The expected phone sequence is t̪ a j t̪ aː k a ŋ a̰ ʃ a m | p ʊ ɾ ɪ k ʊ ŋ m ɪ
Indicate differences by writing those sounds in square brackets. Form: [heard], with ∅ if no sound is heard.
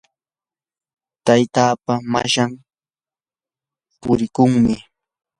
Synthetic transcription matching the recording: t̪ a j t̪ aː [p] a [m] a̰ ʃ a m | p ʊ ɾ ɪ k ʊ ŋ m ɪ